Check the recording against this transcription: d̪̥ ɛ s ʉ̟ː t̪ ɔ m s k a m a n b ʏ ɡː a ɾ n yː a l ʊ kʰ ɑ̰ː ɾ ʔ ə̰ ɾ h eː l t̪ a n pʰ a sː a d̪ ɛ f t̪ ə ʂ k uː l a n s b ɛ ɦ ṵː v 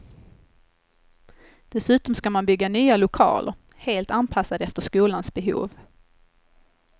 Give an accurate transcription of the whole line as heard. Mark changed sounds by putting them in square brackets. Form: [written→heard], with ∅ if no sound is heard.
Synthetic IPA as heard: d̪̥ ɛ s ʉ̟ː t̪ ɔ m s k a m a n b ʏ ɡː a [ɾ→∅] n yː a l ʊ kʰ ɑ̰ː [ɾ→l] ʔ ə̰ ɾ h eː l t̪ a n pʰ a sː a d̪ ɛ f t̪ ə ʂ k uː l a n s b ɛ ɦ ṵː v